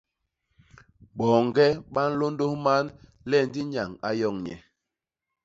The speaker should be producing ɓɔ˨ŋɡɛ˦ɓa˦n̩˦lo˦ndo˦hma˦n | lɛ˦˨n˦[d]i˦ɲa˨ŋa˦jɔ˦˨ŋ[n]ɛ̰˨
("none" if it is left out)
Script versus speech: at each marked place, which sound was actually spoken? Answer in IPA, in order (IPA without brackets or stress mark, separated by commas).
d, ɲ